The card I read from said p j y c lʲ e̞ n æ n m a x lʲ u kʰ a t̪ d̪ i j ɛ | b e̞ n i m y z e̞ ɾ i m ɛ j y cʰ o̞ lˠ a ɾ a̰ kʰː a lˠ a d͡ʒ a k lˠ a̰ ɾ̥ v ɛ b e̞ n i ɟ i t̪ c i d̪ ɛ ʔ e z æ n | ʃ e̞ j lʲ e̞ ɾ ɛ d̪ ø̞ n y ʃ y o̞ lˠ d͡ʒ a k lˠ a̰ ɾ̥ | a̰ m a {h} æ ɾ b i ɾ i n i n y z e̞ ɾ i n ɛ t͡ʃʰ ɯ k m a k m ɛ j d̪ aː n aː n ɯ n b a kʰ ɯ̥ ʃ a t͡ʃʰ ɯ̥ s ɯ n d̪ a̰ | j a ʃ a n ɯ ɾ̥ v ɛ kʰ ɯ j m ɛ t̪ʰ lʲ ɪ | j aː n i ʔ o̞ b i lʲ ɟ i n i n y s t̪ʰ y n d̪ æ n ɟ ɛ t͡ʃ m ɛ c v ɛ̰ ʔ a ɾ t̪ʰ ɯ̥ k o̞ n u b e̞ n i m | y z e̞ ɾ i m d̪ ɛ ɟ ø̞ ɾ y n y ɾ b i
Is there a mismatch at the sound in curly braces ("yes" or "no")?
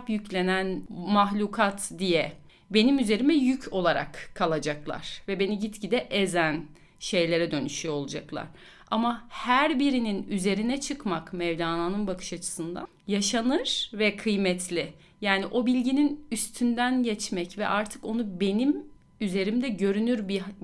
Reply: no